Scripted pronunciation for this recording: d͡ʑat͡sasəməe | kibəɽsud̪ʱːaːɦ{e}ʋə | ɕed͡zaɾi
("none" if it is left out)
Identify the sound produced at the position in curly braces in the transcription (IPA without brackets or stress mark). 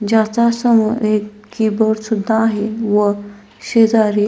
e